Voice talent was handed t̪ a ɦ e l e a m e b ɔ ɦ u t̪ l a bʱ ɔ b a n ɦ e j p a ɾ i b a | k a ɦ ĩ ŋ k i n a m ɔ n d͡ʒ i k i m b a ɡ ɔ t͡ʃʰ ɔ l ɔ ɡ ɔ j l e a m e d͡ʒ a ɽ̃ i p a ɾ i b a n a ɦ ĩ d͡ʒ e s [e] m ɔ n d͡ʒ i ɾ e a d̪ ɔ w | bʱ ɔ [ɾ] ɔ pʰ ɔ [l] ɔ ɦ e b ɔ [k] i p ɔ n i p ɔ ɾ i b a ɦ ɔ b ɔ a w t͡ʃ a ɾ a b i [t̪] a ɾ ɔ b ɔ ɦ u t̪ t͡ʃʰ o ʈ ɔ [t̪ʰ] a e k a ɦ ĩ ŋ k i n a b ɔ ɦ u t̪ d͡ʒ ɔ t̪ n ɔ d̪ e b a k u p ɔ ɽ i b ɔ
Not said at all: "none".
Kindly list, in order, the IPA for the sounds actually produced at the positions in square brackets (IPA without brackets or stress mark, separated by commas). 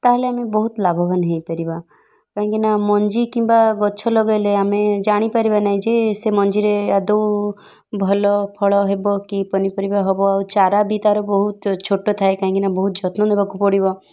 e, l, ɭ, k, t̪, t̪ʰ